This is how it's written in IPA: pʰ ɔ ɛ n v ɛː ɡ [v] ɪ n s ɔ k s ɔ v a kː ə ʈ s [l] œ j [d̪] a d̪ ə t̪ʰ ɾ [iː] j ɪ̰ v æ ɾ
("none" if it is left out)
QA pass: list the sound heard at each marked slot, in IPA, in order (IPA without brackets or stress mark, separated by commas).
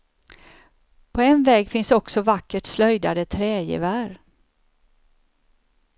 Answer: f, l, d̪, ɛː